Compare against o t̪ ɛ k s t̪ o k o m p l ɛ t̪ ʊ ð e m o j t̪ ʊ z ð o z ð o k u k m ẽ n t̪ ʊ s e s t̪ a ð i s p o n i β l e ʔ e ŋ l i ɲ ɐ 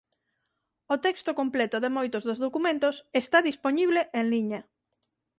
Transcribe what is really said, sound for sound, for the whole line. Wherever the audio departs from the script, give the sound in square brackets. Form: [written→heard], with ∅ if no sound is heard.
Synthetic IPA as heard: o t̪ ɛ k s t̪ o k o m p l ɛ t̪ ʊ ð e m o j t̪ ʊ z ð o z ð o k u [k→∅] m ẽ n t̪ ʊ s e s t̪ a ð i s p o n i β l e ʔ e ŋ l i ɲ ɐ